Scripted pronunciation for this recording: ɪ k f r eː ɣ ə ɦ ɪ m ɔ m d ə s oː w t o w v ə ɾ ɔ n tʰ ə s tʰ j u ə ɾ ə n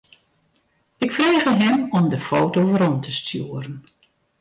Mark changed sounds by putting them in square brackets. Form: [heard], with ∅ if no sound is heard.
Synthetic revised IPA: ɪ k f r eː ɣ ə ɦ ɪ m ɔ m d ə [f] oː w t o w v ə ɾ ɔ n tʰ ə s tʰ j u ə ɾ ə n